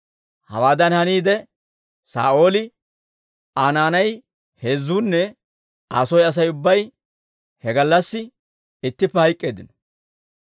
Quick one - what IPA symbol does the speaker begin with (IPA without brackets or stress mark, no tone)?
h